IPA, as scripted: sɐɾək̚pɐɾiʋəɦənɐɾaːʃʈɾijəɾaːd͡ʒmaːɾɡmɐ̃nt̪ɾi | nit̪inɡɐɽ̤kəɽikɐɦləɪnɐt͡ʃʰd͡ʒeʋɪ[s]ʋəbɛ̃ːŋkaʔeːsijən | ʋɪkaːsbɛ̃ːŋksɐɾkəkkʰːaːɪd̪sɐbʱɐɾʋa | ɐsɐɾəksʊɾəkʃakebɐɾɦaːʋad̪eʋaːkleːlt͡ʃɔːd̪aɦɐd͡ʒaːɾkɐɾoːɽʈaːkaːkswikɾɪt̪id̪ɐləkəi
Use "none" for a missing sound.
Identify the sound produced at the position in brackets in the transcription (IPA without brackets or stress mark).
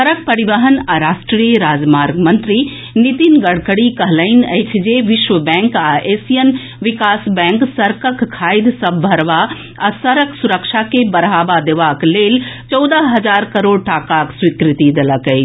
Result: ʃ